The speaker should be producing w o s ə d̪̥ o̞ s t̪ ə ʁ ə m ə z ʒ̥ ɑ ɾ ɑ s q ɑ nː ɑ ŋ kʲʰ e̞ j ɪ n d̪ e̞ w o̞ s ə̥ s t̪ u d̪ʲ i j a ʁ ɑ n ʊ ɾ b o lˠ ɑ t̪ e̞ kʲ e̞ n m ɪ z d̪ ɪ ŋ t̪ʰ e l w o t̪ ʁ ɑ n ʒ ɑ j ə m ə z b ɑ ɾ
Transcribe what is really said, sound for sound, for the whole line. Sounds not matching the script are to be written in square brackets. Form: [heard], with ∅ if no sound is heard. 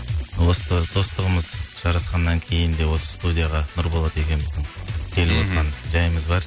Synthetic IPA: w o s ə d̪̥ o̞ s t̪ ə ʁ ə m ə z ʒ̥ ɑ ɾ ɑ s q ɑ nː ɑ ŋ kʲʰ e̞ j ɪ n d̪ e̞ w o̞ s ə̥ s t̪ u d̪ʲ i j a ʁ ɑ n ʊ ɾ b o lˠ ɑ t̪ e̞ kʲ e̞ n m ɪ z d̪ ɪ ŋ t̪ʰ e l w o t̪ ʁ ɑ n ʒ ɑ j ə m ə z b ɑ ɾ